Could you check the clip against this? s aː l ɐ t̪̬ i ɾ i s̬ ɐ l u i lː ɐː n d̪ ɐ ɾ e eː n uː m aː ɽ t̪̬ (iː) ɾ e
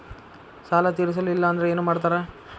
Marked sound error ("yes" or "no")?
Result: yes